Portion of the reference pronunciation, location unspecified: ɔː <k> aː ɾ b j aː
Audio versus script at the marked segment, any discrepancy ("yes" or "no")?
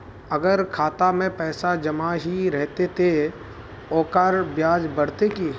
no